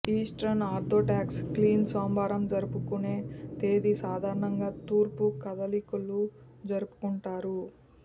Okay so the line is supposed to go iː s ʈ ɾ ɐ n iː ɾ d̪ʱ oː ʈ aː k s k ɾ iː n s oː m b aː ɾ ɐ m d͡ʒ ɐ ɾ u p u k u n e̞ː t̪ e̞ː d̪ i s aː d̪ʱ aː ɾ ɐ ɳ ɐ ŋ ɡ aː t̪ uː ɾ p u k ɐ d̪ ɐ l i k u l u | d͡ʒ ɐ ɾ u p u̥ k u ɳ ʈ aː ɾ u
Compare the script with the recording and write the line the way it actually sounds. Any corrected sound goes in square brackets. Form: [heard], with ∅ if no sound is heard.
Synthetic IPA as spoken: iː s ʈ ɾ ɐ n [aː] ɾ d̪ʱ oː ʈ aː k s k [l] iː n s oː m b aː ɾ ɐ m d͡ʒ ɐ ɾ u p u k u n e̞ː t̪ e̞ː d̪ i s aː d̪ʱ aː ɾ ɐ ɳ ɐ ŋ ɡ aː t̪ uː ɾ p u k ɐ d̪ ɐ l i k u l u | d͡ʒ ɐ ɾ u p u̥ k u ɳ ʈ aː ɾ u